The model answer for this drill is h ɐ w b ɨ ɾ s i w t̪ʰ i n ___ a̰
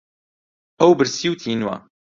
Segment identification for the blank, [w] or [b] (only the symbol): w